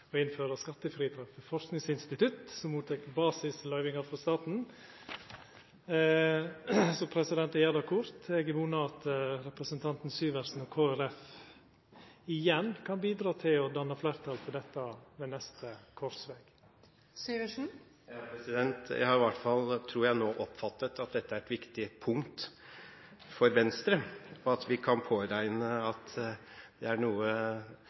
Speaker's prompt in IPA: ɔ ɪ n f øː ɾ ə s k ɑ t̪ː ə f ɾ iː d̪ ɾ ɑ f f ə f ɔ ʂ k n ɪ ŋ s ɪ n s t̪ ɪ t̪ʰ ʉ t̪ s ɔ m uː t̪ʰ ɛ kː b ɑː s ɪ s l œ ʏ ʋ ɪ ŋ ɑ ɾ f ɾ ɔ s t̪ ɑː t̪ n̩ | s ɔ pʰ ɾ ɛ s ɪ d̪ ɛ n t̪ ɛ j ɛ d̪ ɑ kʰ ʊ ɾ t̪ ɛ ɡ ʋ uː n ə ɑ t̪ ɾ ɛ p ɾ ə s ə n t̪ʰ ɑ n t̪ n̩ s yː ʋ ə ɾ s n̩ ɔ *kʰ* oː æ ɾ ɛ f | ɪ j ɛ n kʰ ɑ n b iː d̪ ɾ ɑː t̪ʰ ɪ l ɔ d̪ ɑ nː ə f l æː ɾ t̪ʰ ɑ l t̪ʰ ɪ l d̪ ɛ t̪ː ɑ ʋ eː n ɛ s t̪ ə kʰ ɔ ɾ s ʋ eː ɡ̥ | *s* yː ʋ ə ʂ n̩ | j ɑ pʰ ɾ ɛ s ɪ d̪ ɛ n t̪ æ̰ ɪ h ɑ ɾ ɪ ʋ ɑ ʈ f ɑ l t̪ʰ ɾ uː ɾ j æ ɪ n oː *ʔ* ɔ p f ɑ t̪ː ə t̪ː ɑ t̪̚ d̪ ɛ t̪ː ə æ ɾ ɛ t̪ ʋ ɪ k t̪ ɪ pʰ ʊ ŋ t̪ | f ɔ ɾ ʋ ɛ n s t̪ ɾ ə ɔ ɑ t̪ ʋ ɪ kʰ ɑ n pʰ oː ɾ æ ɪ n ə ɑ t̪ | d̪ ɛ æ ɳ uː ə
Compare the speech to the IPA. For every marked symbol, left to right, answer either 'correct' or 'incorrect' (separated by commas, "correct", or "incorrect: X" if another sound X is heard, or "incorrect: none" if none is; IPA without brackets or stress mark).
correct, correct, correct